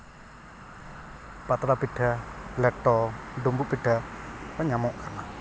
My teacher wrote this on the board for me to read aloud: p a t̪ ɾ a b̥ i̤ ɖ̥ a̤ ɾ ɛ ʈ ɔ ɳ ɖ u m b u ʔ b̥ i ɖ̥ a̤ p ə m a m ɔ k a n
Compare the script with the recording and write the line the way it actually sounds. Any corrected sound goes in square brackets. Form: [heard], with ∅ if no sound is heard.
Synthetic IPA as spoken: p a t̪ ɾ a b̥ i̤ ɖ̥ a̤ [l] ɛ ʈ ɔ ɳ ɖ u m b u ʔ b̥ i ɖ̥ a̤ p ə [ɲ] a m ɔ k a n